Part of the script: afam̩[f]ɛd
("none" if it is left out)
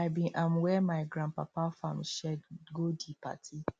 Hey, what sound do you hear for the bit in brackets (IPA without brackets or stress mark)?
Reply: ʃ